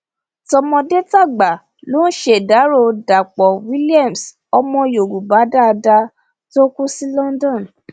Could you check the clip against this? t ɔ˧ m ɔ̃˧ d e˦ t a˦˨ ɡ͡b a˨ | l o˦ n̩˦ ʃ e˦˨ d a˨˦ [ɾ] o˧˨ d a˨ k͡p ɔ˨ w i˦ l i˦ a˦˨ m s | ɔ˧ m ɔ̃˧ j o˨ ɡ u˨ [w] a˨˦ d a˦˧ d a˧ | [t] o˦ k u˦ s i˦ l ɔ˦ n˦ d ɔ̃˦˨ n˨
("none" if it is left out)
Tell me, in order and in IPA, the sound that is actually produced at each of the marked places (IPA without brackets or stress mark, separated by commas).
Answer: ɾ, b, t